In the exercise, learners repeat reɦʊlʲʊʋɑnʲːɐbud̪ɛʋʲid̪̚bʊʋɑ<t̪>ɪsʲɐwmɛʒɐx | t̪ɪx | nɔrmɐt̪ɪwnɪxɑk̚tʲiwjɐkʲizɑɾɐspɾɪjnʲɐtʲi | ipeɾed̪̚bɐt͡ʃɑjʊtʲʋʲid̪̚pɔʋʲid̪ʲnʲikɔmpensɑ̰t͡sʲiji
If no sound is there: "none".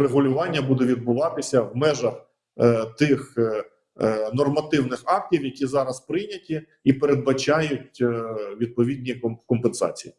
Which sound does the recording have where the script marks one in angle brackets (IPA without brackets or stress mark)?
t̪